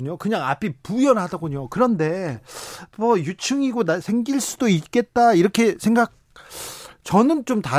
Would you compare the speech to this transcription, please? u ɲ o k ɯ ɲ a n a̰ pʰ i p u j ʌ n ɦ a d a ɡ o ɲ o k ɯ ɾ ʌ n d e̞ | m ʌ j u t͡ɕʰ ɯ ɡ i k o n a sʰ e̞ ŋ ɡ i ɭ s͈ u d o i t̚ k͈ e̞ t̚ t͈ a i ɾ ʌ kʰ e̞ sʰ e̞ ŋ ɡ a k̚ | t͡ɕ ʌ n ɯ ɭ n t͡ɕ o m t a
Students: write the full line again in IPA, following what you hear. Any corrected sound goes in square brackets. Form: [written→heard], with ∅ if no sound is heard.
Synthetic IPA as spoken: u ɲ o k ɯ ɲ a [n→ŋ] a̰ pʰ i p u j ʌ n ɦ a d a ɡ o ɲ o k ɯ ɾ ʌ n d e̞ | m ʌ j u t͡ɕʰ ɯ [ɡ→ŋ] i [k→ɡ] o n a sʰ e̞ ŋ ɡ i ɭ s͈ u d o i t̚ k͈ e̞ t̚ t͈ a i ɾ ʌ kʰ e̞ sʰ e̞ ŋ ɡ a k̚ | t͡ɕ ʌ n ɯ [ɭ→∅] n t͡ɕ o m t a